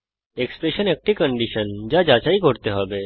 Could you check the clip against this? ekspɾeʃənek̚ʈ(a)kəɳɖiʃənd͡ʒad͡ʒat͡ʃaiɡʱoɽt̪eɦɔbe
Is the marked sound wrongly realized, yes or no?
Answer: yes